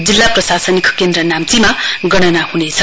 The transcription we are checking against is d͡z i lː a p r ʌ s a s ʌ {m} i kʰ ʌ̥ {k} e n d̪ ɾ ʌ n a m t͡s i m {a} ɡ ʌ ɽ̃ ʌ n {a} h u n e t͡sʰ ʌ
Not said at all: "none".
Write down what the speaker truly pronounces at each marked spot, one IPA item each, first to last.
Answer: n, k, a, a

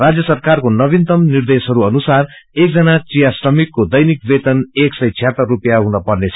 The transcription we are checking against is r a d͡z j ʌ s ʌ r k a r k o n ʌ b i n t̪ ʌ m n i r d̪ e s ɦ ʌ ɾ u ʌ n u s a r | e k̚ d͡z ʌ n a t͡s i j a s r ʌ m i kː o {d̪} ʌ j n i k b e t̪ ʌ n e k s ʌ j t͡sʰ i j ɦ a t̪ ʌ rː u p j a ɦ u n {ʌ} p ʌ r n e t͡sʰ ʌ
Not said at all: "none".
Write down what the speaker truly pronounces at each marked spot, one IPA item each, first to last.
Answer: d̪, ʌ

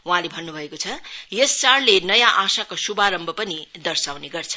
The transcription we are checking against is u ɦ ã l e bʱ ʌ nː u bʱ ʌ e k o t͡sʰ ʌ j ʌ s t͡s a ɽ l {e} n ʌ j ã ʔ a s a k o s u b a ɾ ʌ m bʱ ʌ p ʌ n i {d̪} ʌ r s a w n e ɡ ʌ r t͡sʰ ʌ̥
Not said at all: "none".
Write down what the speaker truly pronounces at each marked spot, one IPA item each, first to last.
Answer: e, d̪

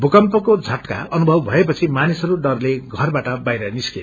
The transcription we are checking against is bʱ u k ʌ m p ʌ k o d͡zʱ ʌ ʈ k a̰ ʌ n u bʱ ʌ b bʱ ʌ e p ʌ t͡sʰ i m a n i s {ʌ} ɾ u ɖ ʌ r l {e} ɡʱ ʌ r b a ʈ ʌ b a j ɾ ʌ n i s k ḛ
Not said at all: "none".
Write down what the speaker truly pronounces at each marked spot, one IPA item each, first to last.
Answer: ʌ, e

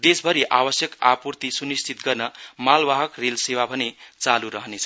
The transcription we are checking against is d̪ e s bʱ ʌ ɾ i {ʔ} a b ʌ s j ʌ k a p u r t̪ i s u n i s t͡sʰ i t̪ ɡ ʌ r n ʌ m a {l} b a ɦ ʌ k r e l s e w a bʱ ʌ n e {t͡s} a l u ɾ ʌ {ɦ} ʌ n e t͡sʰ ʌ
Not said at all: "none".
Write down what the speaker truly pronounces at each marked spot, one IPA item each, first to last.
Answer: ʔ, l, t͡s, ɦ

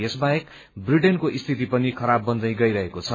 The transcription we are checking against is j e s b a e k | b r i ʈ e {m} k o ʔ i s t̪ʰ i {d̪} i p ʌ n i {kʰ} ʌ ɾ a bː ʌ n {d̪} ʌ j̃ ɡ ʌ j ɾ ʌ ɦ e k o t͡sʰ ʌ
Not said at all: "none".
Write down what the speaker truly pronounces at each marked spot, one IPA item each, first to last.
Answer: n, t̪, kʰ, d̪

